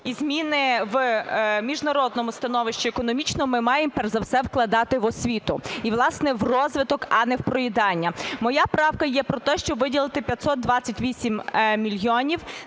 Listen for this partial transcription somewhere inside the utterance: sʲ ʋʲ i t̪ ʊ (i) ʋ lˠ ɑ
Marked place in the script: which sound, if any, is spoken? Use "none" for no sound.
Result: i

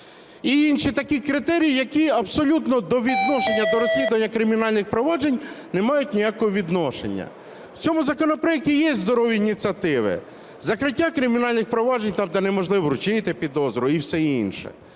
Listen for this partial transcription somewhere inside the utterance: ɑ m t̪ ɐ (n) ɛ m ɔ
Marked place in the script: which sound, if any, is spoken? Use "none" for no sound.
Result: n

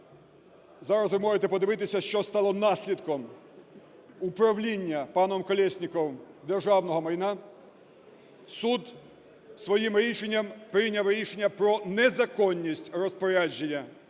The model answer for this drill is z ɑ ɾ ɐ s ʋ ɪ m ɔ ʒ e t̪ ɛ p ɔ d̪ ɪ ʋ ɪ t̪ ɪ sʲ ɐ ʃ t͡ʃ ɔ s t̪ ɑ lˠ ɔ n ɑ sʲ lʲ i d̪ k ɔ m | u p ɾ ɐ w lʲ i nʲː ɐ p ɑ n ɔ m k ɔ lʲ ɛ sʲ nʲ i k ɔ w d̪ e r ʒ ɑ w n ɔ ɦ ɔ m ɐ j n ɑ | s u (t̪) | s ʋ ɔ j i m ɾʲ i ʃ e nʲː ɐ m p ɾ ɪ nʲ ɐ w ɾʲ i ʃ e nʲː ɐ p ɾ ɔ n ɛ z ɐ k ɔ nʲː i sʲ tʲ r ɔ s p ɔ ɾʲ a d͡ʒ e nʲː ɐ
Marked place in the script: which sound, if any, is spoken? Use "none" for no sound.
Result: d̪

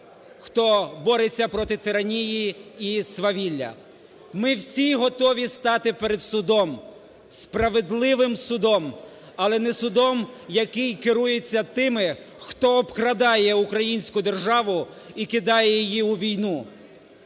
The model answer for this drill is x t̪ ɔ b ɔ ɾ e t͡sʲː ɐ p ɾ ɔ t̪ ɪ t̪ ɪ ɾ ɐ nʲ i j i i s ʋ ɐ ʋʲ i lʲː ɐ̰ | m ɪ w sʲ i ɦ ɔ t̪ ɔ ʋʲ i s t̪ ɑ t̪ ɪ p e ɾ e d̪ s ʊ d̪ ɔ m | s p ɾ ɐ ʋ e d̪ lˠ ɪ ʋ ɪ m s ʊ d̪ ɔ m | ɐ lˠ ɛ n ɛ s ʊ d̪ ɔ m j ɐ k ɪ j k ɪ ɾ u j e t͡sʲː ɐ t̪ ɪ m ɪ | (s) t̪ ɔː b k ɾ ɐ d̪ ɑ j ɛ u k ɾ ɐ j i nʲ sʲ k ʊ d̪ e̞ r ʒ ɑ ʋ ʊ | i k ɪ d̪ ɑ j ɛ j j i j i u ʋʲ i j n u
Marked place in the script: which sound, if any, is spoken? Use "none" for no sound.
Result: x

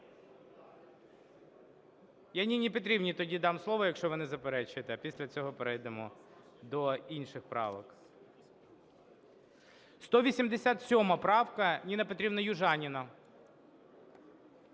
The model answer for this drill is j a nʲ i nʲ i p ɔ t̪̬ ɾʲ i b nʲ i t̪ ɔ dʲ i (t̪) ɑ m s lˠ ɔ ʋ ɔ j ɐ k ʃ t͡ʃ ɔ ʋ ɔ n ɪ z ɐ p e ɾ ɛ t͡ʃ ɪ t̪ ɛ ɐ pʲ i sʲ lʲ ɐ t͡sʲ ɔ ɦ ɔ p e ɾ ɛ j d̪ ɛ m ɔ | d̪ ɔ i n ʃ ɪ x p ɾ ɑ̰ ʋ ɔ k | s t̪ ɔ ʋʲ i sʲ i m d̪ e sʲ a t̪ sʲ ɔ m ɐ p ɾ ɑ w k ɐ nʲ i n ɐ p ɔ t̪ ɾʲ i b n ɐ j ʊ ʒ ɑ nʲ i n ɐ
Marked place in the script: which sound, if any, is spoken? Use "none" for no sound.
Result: d̪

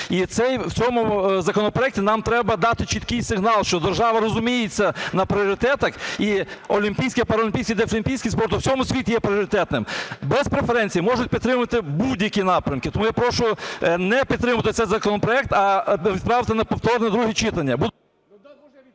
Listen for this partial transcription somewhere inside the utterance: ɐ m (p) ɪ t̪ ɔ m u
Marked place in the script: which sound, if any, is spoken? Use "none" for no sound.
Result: k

